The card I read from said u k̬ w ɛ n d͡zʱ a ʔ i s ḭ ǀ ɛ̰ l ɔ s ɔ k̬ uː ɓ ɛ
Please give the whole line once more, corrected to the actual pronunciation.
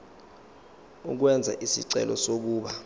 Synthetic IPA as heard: u k̬ w ɛ n d͡zʱ a ʔ i s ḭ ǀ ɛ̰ l ɔ s o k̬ uː ɓ a